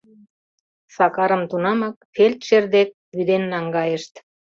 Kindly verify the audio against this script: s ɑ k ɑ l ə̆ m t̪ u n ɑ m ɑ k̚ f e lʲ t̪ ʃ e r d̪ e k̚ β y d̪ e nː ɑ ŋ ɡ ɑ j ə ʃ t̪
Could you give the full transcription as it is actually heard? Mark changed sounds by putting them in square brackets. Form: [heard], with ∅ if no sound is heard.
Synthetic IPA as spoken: s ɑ k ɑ [ɾ] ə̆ m t̪ u n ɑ m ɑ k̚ f e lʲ t̪ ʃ e r d̪ e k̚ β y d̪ e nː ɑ ŋ ɡ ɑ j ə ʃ t̪